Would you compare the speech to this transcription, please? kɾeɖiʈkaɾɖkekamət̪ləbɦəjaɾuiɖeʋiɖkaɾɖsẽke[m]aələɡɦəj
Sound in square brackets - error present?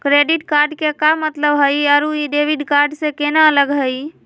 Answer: yes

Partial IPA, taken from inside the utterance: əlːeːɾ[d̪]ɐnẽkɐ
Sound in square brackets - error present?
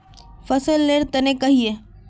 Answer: yes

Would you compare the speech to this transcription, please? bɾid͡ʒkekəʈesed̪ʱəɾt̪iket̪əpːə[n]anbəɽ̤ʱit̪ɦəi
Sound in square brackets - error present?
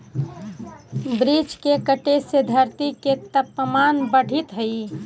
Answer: yes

